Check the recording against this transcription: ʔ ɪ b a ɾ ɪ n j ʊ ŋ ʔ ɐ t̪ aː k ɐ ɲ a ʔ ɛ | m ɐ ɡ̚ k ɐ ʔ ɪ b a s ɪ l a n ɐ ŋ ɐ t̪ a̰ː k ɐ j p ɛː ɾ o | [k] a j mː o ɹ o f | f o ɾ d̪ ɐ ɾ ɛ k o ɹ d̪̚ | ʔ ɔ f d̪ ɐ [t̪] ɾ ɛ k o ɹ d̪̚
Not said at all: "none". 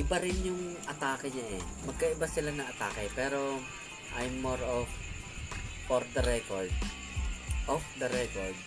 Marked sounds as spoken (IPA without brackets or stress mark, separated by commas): ʔ, none